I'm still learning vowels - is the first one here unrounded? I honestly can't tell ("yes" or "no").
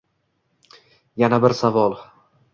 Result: yes